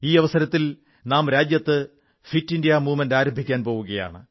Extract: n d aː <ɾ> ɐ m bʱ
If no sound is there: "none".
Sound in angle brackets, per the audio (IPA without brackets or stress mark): ɾ